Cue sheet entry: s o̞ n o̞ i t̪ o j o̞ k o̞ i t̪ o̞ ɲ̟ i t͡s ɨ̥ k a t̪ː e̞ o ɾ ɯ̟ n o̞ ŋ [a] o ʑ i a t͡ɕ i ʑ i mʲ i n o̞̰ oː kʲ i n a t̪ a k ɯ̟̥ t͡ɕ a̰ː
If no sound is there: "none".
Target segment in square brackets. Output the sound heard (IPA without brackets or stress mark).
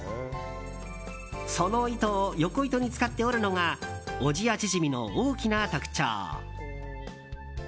a